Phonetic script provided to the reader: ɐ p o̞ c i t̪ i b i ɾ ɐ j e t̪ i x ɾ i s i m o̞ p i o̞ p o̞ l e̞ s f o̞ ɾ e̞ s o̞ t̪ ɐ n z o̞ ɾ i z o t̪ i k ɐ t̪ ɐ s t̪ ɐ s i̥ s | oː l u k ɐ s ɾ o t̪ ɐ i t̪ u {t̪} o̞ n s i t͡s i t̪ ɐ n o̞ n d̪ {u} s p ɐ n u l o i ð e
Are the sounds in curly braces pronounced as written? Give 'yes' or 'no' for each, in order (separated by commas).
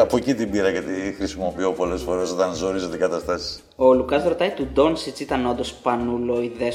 no, no